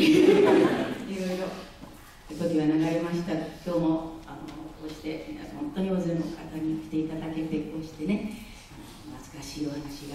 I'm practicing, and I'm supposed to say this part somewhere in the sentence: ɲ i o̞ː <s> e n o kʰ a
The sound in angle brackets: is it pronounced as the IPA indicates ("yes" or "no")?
no